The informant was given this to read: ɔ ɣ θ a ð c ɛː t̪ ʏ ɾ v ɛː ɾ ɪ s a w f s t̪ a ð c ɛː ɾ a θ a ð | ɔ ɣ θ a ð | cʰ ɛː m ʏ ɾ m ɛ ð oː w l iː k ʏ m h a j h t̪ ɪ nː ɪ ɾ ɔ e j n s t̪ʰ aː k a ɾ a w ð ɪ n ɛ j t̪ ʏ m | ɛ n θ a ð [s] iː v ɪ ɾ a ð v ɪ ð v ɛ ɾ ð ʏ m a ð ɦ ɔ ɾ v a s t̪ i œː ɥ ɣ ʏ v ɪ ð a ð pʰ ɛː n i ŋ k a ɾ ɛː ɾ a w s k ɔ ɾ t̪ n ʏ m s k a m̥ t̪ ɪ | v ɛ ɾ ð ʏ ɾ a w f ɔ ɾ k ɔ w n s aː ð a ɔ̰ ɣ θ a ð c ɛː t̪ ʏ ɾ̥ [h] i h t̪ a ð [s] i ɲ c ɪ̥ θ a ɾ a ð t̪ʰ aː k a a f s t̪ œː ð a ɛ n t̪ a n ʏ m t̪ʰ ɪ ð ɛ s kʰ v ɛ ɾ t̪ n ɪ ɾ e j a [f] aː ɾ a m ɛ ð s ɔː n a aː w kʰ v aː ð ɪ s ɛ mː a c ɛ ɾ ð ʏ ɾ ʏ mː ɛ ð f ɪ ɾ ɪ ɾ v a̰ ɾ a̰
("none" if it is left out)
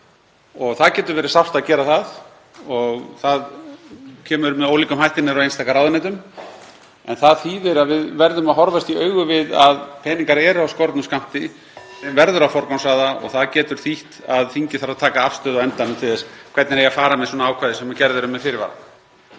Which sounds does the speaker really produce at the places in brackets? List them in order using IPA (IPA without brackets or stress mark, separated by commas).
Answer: θ, θ, θ, f